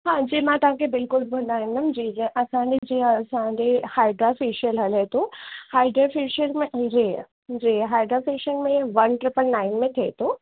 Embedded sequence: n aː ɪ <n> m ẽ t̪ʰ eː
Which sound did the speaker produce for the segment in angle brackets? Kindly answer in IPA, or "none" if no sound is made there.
n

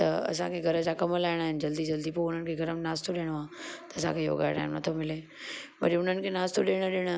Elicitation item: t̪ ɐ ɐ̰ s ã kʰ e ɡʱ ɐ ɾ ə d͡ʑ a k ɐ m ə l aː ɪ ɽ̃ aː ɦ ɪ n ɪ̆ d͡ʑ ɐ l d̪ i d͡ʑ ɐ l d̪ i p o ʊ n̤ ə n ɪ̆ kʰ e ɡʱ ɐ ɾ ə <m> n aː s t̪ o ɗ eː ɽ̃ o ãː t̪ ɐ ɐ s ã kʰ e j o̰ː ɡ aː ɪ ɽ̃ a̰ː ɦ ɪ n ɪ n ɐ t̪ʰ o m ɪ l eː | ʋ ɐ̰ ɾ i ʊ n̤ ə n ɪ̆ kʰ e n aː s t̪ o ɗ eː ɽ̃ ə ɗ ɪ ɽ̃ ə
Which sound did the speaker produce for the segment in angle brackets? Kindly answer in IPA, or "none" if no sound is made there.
m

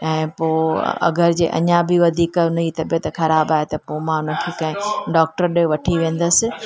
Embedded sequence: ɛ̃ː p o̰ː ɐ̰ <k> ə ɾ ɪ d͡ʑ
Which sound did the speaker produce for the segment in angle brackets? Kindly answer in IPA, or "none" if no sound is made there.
ɡ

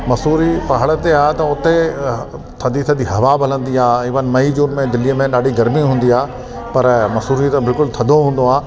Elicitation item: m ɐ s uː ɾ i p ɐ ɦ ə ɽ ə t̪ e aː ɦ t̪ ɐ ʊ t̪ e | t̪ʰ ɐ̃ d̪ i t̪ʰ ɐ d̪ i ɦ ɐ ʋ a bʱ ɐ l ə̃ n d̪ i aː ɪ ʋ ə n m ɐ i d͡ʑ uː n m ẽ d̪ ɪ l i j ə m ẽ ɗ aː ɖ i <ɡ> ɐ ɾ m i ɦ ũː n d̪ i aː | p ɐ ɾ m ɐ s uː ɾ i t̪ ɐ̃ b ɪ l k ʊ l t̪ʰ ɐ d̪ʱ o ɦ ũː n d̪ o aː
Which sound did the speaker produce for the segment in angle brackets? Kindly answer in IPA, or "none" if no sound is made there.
ɡ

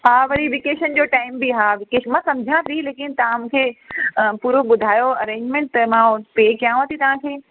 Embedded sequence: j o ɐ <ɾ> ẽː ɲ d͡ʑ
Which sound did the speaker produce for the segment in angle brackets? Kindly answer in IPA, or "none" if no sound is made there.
ɾ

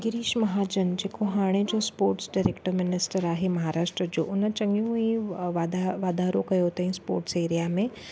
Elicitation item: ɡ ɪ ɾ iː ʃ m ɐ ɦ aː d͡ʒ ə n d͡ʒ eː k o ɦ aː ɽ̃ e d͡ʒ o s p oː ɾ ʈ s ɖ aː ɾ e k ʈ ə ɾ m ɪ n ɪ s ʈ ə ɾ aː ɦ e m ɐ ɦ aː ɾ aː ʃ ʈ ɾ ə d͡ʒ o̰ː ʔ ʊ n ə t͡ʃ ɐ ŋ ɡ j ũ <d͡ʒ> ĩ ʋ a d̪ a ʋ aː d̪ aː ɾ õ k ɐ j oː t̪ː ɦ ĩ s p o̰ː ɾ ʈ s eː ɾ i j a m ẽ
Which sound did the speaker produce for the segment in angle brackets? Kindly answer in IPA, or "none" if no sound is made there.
none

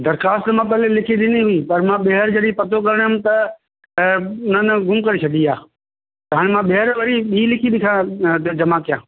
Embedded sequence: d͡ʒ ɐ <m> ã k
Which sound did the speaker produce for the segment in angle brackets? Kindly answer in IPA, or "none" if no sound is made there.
m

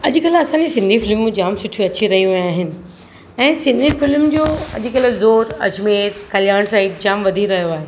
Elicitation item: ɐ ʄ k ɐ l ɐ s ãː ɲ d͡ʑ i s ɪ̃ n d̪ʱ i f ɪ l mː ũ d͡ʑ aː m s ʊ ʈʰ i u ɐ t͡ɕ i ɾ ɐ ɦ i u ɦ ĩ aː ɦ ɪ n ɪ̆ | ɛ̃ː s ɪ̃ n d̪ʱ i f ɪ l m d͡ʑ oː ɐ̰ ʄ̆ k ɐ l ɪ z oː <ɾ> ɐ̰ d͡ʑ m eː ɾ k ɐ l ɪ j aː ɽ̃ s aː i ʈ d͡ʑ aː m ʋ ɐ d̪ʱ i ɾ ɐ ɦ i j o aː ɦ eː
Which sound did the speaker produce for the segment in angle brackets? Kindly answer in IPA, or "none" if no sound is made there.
ɾ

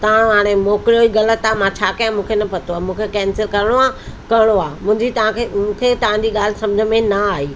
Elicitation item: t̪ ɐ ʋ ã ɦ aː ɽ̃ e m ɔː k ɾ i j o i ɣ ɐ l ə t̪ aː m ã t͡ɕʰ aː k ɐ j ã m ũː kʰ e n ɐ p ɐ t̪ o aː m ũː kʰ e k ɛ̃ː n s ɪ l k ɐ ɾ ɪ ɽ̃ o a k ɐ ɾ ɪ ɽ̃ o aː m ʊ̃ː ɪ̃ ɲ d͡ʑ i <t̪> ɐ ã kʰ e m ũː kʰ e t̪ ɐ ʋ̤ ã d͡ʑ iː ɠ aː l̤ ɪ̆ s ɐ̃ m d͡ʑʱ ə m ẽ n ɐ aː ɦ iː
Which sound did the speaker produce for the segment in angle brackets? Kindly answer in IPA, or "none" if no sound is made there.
t̪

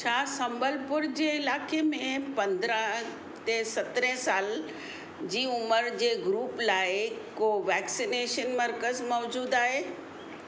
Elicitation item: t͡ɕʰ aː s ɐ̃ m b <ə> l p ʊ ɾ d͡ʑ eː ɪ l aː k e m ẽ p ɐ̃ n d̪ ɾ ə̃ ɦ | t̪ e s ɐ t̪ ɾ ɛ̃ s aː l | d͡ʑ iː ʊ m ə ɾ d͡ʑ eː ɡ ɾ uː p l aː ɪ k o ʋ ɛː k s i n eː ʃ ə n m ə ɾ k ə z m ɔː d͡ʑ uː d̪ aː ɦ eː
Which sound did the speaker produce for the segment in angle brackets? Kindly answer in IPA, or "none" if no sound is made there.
ə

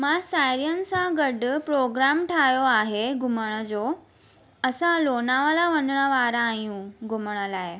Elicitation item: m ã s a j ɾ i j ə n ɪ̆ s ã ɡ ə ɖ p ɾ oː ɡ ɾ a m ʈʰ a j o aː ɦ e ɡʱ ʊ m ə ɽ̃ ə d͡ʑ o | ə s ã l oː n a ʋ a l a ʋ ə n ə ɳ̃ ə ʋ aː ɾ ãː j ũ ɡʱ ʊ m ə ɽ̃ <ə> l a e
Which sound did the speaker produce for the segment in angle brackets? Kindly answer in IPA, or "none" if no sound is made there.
ə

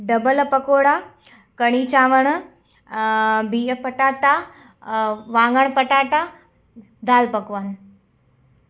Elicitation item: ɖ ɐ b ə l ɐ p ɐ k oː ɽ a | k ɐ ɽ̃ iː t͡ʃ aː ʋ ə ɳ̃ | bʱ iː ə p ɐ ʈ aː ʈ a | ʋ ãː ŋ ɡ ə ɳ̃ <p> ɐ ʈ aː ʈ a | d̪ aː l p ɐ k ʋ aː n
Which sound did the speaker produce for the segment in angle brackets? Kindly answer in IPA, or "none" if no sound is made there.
p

